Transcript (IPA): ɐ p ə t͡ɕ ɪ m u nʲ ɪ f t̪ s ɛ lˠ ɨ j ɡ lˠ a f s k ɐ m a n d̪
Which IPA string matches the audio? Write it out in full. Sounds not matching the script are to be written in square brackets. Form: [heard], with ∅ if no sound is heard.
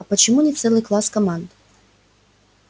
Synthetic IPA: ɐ p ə t͡ɕ ɪ m u nʲ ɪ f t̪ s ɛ lˠ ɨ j [k] lˠ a [∅] s k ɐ m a n d̪